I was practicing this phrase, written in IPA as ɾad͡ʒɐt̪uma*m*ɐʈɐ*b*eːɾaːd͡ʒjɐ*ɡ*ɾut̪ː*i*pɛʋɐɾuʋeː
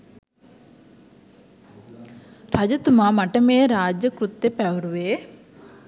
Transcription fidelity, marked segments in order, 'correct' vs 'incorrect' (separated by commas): correct, incorrect, incorrect, incorrect